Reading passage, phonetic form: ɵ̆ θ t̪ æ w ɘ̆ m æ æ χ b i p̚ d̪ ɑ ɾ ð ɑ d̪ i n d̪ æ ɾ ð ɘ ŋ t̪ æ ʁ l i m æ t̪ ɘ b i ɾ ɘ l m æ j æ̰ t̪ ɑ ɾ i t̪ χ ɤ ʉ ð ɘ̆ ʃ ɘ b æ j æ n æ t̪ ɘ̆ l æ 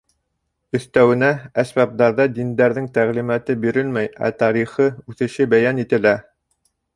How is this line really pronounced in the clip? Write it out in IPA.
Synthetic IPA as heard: ɵ̆ θ t̪ æ w ɘ̆ n æ æ s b æ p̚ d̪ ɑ ɾ ð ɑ d̪ i n d̪ æ ɾ ð ɘ ŋ t̪ æ ʁ l i m æ t̪ ɘ b i ɾ ɘ l m æ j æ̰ t̪ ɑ ɾ i χ ɤ ʉ θ ɘ̆ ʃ ɘ b æ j æ n i t̪ ɘ̆ l æ